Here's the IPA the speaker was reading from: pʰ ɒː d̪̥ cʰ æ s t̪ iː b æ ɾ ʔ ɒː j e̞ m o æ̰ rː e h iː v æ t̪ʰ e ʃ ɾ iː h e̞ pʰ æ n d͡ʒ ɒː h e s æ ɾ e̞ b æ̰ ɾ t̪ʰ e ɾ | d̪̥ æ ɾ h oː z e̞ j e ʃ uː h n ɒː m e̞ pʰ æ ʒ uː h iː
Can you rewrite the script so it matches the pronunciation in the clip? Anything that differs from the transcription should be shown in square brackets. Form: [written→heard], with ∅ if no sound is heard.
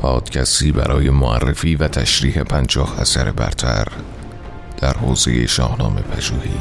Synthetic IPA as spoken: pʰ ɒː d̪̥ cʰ æ s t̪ iː b æ ɾ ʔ ɒː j e̞ m o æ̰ rː e [h→f] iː v æ t̪ʰ [e→æ] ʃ ɾ iː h e̞ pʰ æ n d͡ʒ ɒː h [e→æ] s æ ɾ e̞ b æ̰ ɾ t̪ʰ [e→æ] ɾ | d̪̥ æ ɾ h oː z e̞ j e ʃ [uː→ɒː] h n ɒː m e̞ pʰ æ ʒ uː h iː